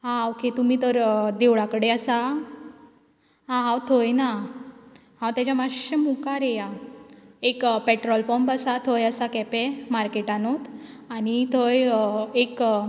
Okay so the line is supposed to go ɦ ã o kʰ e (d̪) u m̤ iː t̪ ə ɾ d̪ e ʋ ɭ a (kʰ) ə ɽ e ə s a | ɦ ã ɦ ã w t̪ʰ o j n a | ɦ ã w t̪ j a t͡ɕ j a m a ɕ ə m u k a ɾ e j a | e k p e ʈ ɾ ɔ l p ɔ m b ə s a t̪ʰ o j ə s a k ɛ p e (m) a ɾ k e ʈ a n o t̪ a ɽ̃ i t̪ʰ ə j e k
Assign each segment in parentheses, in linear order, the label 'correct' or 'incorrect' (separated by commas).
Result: incorrect, incorrect, correct